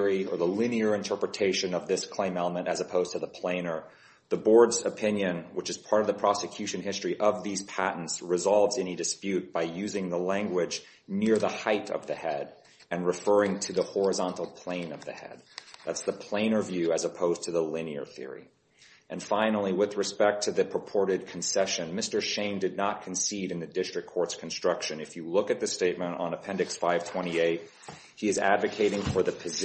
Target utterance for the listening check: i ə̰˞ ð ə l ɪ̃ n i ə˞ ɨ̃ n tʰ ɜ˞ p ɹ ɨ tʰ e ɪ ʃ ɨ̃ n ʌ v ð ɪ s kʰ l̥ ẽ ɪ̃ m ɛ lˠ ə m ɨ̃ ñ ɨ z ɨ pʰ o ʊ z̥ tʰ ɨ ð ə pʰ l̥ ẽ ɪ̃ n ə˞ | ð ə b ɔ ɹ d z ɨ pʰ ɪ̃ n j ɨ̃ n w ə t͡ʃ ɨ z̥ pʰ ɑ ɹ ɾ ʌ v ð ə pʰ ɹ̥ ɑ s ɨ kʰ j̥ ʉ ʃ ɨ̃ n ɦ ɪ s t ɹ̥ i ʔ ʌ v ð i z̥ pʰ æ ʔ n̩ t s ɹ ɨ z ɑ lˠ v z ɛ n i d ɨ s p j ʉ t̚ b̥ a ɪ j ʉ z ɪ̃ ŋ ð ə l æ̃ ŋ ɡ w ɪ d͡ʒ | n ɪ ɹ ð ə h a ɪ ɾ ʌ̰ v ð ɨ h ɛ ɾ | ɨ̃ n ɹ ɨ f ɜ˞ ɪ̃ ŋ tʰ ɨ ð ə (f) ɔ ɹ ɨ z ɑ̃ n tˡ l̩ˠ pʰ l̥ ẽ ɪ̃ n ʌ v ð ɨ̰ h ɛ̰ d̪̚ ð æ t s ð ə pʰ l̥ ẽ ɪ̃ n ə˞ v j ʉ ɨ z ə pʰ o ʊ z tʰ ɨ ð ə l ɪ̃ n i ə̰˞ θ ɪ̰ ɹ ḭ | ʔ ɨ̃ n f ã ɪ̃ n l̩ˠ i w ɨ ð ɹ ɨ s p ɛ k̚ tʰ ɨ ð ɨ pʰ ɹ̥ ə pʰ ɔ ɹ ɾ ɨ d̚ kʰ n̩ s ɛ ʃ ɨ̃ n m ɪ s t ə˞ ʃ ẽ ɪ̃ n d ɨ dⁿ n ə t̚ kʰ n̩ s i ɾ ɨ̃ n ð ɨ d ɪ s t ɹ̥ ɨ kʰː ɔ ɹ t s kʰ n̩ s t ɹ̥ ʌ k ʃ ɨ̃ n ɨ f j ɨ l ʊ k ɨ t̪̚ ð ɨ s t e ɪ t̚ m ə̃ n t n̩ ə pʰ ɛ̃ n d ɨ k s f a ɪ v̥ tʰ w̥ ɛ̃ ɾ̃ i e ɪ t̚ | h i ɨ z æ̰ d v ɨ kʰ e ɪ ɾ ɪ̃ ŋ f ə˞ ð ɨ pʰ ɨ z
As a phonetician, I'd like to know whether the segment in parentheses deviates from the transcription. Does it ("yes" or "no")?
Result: yes